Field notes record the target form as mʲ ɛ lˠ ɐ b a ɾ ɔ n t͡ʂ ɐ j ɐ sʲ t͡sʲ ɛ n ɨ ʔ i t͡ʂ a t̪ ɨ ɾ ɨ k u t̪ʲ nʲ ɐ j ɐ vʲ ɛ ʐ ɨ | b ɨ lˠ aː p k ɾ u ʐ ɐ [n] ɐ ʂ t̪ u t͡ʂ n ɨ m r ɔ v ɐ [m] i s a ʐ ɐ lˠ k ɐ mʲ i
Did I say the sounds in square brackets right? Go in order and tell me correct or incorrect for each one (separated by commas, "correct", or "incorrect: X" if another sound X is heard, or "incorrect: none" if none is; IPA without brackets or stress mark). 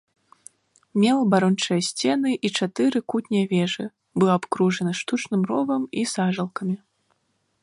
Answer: correct, correct